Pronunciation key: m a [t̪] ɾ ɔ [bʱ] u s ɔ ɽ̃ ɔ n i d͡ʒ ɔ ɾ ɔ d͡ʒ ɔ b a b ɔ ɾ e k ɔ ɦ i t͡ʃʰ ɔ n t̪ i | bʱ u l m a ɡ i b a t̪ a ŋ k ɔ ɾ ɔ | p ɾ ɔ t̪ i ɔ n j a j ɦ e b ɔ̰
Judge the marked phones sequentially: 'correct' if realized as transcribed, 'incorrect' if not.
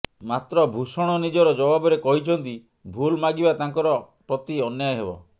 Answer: correct, correct

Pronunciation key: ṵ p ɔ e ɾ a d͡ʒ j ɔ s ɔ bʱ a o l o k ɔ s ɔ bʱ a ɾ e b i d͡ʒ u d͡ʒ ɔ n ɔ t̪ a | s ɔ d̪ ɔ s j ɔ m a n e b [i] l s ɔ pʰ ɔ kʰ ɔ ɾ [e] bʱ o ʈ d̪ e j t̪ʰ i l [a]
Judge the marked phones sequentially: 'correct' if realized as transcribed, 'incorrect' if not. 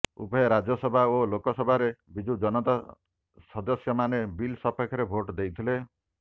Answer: correct, correct, incorrect

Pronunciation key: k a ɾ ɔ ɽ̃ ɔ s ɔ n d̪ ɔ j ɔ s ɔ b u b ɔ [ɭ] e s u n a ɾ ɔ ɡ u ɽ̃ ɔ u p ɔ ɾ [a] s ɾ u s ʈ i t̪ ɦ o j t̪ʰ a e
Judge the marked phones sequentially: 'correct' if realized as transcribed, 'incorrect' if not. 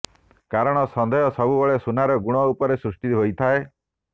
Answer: correct, incorrect

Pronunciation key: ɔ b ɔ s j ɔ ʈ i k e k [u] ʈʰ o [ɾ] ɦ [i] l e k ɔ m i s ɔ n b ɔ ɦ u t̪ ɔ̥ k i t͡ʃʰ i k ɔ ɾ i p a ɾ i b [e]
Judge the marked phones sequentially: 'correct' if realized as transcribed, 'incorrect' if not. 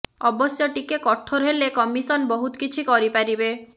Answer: incorrect, correct, incorrect, correct

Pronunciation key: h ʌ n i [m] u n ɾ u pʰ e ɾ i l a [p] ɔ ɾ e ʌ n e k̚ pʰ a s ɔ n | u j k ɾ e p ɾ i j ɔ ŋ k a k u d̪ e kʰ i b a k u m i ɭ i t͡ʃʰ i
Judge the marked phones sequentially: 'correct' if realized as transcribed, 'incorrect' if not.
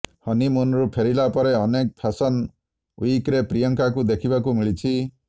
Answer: correct, correct

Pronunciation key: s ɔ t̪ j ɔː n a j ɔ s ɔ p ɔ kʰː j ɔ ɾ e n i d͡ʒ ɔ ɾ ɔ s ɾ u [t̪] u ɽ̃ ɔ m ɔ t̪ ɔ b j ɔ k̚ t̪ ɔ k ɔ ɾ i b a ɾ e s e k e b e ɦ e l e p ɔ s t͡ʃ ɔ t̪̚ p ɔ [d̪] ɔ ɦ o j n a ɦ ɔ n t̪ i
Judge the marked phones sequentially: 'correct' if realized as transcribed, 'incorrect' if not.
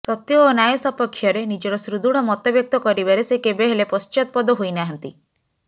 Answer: incorrect, correct

